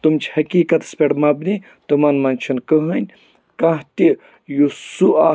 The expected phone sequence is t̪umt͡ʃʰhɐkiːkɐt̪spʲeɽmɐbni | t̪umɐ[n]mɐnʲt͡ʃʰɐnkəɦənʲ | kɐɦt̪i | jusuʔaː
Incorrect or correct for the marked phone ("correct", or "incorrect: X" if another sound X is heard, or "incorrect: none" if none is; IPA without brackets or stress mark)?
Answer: correct